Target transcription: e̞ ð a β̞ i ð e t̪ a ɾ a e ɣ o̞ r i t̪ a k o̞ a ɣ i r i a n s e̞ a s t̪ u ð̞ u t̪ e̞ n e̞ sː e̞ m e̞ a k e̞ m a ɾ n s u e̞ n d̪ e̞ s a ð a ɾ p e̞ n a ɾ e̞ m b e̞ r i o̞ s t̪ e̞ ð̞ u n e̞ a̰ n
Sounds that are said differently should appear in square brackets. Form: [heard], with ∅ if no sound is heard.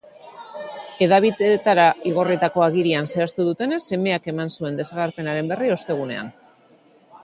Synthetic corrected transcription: e̞ ð a β̞ i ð e t̪ a ɾ a [i] ɣ o̞ r i t̪ a k o̞ a ɣ i [ɾ] i a n s e̞ a s t̪ u ð̞ u t̪ e̞ n e̞ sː e̞ m e̞ a k e̞ m a [∅] n s u e̞ n d̪ e̞ s a [ɣ] a ɾ p e̞ n a ɾ e̞ m b e̞ r i o̞ s t̪ e̞ [ɣ̞] u n e̞ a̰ n